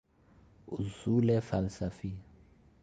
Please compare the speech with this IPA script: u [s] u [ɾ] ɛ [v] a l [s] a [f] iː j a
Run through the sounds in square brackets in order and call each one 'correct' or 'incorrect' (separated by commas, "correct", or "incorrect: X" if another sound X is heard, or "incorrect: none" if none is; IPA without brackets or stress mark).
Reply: incorrect: z, incorrect: l, incorrect: f, correct, correct